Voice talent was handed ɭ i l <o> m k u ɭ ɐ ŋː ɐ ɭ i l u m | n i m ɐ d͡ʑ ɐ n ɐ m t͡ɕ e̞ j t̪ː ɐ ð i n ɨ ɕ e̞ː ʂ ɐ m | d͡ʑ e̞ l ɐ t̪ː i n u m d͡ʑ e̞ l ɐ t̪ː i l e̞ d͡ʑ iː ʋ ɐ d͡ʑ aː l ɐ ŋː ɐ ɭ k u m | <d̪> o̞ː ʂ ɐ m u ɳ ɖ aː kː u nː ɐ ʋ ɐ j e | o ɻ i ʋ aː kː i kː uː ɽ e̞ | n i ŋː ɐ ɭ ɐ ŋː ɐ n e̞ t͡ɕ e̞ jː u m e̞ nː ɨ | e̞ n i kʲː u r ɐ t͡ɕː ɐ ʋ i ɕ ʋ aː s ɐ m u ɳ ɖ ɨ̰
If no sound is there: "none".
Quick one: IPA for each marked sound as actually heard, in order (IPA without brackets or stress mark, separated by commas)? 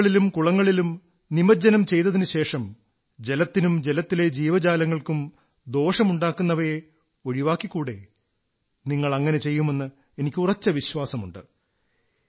u, d̪